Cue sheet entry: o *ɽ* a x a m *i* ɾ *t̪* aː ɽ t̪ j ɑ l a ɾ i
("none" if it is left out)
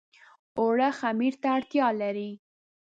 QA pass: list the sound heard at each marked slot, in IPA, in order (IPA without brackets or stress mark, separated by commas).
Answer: ɽ, i, t̪